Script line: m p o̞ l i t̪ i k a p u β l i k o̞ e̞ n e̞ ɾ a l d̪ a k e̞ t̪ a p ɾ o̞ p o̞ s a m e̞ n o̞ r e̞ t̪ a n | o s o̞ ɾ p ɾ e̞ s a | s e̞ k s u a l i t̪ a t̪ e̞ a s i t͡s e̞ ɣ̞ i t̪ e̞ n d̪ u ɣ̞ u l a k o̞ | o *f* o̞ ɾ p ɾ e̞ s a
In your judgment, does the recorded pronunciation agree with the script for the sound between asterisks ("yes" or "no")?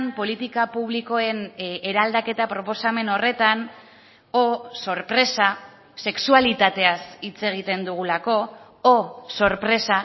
no